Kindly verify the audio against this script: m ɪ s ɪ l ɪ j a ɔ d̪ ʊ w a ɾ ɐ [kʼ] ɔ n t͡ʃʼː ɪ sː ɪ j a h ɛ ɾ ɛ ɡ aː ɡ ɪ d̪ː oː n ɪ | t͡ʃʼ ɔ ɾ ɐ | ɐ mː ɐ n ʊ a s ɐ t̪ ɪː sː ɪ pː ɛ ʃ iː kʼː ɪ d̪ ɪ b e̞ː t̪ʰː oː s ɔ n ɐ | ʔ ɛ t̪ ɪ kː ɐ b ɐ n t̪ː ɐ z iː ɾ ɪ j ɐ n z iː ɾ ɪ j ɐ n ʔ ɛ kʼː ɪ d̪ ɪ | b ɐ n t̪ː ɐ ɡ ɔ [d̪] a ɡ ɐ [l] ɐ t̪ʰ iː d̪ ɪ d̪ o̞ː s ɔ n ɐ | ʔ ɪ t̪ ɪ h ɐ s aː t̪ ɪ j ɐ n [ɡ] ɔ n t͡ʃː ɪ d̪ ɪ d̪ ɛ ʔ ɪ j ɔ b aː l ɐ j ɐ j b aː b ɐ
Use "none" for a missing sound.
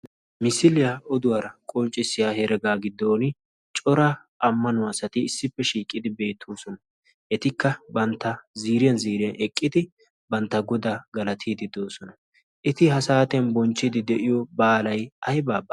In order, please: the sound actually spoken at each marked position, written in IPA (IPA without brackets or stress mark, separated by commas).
kʼ, d̪, l, b